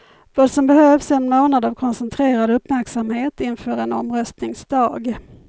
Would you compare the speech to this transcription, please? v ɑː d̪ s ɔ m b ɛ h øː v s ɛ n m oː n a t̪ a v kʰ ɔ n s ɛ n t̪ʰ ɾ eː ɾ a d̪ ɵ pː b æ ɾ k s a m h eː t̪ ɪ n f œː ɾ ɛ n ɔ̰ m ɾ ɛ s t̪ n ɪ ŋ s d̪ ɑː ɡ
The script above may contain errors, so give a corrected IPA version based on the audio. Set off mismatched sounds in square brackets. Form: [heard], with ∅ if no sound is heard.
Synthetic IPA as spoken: v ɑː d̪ s ɔ m b ɛ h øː v s ɛ n m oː n a [d̪] a v kʰ ɔ n s ɛ n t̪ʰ ɾ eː ɾ a d̪ ɵ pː [m] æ ɾ k s a m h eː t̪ ɪ n f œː ɾ ɛ n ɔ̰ m ɾ [œ] s t̪ n ɪ ŋ s d̪ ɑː ɡ